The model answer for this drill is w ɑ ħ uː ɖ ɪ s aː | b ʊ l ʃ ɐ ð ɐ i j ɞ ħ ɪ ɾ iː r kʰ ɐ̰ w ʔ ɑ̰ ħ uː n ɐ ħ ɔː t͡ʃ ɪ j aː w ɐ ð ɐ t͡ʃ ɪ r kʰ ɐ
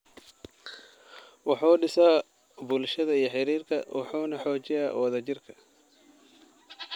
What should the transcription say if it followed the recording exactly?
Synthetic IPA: w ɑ ħ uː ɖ ɪ s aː | b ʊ l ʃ ɐ ð ɐ i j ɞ ħ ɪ ɾ iː r kʰ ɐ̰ w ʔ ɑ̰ ħ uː n ɐ ħ ɔː t͡ʃ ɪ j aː w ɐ ð ɐ t͡ʃ ɪ r kʰ ɐ